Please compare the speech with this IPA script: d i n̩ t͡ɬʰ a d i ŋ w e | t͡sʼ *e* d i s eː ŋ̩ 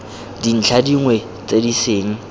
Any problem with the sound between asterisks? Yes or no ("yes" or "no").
no